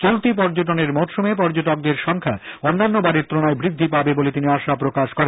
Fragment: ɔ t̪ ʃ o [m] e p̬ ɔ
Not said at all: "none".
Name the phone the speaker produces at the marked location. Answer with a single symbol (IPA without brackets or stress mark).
m